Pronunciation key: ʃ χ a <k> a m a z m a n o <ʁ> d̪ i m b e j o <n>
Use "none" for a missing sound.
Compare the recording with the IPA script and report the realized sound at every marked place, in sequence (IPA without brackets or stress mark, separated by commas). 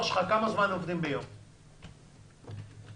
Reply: k, v, m